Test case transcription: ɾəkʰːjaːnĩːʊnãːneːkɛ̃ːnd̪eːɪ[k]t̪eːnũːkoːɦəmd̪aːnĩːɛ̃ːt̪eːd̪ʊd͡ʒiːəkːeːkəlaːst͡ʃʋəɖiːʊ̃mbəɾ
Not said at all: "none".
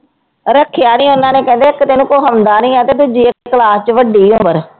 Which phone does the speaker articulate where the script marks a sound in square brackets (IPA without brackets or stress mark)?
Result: k